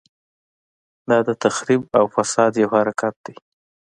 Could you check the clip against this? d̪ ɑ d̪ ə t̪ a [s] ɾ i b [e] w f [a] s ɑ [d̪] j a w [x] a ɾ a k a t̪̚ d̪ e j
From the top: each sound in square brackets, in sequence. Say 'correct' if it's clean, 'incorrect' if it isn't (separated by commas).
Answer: incorrect, incorrect, correct, correct, incorrect